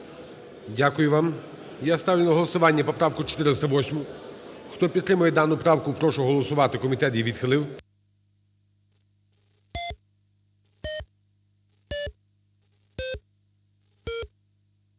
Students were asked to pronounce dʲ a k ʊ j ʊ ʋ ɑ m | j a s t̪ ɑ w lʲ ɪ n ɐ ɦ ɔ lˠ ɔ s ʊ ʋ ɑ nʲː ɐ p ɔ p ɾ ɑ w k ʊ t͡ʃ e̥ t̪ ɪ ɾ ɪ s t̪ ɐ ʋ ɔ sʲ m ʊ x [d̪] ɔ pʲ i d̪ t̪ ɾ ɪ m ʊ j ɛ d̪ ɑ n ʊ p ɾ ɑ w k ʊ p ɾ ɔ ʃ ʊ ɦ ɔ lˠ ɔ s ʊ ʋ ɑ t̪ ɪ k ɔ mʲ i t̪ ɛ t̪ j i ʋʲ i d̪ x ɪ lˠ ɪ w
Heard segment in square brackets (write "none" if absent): t̪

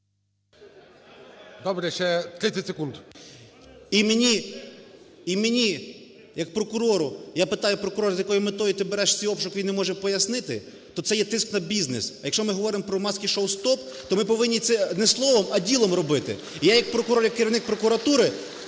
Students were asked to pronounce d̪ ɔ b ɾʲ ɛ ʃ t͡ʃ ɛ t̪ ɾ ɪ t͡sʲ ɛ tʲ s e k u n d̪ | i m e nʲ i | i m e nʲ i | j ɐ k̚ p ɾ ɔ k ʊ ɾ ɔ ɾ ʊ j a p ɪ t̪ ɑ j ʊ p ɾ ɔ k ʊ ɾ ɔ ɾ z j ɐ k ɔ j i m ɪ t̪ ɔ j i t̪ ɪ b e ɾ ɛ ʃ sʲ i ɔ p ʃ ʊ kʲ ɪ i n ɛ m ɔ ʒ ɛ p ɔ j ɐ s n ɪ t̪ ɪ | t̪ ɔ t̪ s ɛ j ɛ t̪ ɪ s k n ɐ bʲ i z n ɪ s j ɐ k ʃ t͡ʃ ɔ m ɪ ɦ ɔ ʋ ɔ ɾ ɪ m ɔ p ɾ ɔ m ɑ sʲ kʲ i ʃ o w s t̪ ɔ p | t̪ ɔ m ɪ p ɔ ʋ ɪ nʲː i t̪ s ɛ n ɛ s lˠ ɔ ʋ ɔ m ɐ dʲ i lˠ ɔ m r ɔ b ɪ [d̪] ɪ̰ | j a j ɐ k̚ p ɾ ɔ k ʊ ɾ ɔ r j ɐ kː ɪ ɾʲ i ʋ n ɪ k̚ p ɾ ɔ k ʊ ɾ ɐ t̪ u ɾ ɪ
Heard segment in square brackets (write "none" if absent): t̪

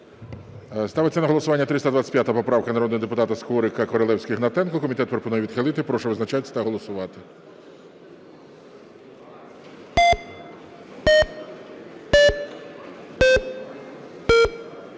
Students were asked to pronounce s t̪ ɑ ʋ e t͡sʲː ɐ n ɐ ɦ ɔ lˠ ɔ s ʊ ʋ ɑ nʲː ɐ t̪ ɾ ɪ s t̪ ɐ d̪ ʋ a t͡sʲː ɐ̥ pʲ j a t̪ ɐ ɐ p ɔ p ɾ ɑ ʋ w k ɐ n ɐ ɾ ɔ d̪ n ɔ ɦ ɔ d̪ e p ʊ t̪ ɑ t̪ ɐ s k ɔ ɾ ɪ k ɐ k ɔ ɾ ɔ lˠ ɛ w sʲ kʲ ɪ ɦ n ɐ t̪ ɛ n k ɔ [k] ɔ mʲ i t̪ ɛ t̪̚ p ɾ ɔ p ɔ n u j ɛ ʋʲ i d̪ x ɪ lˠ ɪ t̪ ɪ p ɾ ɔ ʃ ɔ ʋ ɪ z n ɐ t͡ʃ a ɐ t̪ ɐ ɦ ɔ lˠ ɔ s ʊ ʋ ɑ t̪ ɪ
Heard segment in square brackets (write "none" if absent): k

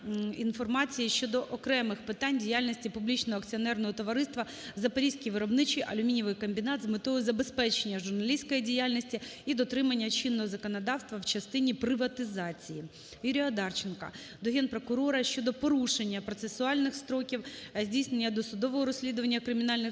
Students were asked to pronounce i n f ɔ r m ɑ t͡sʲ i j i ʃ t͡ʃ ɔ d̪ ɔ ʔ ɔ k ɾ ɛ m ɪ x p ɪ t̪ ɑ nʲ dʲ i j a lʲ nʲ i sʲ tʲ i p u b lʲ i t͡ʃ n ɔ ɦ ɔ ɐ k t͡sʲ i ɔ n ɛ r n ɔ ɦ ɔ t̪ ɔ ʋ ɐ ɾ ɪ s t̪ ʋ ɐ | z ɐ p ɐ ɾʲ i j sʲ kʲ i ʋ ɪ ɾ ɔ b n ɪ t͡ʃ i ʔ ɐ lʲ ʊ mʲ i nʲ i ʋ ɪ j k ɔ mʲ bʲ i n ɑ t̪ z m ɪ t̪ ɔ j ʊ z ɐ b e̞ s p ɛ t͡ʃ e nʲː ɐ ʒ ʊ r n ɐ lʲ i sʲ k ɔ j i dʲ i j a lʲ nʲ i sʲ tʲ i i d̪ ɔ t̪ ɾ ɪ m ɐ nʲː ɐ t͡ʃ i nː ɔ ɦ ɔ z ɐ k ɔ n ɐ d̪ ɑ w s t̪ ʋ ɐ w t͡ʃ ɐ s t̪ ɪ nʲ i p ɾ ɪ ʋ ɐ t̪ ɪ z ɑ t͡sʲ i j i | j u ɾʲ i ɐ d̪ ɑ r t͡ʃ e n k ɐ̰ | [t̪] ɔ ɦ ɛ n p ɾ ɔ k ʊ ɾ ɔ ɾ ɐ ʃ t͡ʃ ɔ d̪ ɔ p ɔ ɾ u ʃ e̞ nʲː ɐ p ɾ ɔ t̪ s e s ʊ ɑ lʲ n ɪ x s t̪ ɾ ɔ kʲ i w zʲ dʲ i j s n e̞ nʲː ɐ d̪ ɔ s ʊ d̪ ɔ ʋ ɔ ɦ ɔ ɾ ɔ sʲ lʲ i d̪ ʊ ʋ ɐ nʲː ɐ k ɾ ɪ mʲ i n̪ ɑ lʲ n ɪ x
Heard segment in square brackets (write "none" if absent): d̪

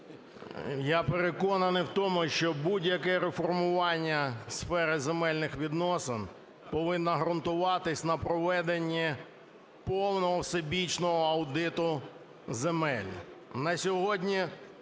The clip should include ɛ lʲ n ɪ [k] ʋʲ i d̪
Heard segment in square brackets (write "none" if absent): x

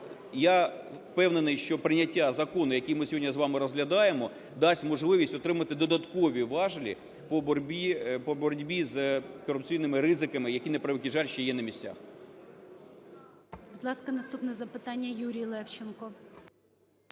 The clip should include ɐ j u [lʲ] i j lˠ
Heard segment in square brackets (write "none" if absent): ɾʲ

